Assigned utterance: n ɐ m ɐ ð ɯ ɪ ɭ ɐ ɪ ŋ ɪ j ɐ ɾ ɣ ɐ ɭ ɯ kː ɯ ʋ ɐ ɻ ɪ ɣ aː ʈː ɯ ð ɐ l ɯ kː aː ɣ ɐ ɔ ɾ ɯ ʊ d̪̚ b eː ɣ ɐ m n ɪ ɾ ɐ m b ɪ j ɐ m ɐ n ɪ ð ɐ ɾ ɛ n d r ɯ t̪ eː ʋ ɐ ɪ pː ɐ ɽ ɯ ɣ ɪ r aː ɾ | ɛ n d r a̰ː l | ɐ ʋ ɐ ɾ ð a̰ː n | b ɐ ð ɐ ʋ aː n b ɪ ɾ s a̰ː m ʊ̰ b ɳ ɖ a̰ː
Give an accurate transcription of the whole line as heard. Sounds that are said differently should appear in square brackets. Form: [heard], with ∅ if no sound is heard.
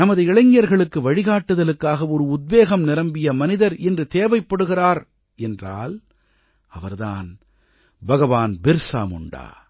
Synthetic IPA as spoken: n ɐ m ɐ ð ɯ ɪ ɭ ɐ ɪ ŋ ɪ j ɐ ɾ ɣ ɐ ɭ ɯ kː ɯ ʋ ɐ ɻ ɪ ɣ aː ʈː ɯ ð ɐ l ɯ kː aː ɣ ɐ ɔ ɾ ɯ ʊ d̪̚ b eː ɣ ɐ m n ɪ ɾ ɐ m b ɪ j ɐ m ɐ n ɪ ð ɐ ɾ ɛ n d r ɯ t̪ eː ʋ ɐ ɪ pː ɐ ɽ ɯ ɣ ɪ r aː ɾ | ɛ n d r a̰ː l | ɐ ʋ ɐ ɾ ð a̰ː n | b ɐ [ɣ] ɐ ʋ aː n b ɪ ɾ s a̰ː m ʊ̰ [∅] ɳ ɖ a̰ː